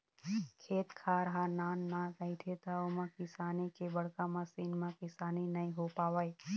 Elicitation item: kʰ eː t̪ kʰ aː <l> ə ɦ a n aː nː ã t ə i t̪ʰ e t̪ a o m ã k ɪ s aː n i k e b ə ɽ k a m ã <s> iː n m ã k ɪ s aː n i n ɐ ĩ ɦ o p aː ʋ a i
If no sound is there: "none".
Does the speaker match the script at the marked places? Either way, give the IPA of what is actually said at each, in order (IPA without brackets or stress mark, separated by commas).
ɾ, s